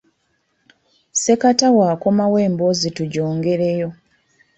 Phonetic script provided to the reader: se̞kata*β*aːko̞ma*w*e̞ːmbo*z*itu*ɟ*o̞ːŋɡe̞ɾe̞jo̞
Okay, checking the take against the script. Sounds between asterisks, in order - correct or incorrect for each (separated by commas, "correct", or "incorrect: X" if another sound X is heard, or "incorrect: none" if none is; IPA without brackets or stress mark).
incorrect: w, correct, correct, correct